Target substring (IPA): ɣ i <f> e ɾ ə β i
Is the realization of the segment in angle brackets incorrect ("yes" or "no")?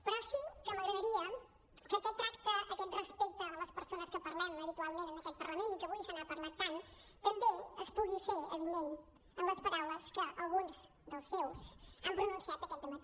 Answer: no